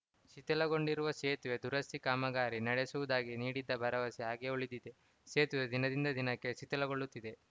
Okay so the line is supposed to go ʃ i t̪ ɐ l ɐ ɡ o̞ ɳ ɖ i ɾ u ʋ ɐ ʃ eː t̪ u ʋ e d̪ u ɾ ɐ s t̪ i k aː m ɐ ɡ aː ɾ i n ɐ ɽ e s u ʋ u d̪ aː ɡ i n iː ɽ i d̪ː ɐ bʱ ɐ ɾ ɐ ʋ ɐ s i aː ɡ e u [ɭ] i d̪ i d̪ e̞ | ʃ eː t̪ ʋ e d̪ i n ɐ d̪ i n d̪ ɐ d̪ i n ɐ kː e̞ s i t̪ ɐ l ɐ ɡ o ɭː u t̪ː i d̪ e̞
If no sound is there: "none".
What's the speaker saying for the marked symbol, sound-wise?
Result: ɭ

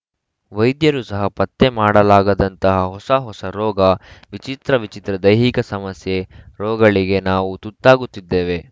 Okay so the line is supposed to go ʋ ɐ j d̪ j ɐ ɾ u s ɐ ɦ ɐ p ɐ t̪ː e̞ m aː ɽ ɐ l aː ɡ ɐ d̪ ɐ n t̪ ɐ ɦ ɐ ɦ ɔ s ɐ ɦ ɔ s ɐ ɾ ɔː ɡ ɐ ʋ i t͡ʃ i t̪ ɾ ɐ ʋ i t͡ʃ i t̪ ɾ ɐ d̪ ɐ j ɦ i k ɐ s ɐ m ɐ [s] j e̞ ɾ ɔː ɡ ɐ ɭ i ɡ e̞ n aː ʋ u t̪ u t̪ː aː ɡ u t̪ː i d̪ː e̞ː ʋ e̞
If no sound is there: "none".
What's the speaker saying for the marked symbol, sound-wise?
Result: s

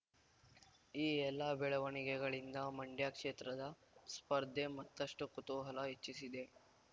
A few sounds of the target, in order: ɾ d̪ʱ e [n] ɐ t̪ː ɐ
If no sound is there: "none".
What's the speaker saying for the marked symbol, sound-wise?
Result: m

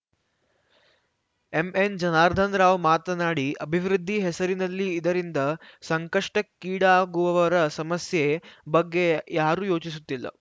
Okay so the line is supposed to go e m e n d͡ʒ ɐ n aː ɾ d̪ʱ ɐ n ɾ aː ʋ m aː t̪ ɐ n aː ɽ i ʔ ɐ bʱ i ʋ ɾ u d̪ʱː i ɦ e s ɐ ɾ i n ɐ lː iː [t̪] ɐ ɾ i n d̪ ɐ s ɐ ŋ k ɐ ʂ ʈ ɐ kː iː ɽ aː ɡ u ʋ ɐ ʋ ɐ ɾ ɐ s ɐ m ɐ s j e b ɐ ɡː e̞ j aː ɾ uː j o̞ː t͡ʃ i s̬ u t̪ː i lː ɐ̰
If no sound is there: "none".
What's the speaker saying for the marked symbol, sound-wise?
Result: d̪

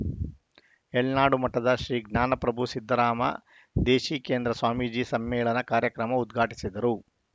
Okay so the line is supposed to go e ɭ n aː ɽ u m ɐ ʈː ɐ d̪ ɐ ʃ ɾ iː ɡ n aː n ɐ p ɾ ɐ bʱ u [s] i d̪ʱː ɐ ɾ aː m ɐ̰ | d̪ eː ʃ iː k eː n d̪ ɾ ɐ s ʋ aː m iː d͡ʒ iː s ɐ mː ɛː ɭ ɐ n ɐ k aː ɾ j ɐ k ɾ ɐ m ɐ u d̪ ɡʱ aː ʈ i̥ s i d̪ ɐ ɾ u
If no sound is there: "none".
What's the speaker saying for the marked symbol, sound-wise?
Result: s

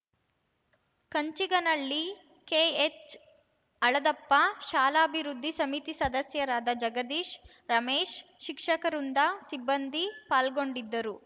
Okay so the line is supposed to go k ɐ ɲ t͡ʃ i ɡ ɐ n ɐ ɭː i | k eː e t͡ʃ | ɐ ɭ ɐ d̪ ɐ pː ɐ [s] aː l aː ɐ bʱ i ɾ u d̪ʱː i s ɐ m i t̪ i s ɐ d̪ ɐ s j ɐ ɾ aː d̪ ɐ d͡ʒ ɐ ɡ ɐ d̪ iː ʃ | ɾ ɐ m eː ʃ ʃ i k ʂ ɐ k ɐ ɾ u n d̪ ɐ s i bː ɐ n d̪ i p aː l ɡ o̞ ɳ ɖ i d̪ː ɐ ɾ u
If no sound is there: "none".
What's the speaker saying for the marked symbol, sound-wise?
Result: ʃ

